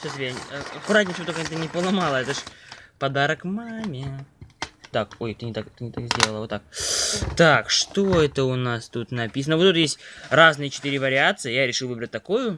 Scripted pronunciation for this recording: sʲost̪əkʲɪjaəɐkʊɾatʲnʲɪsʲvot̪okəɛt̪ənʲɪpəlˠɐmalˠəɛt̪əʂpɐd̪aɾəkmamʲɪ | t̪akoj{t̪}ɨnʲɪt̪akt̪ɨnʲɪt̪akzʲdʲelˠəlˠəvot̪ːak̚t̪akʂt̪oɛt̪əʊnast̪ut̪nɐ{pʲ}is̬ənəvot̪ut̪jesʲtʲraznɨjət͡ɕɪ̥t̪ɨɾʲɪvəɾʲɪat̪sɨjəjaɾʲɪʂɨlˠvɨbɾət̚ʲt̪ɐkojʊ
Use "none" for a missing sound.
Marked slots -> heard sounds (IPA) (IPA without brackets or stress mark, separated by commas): t̪, pʲ